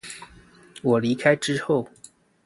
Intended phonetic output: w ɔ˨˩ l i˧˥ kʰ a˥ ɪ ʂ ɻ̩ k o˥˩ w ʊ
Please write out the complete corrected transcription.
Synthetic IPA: w ɔ˨˩ l i˧˥ kʰ a˥ ɪ ʈ͡ʂ ɻ̩ x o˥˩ ʊ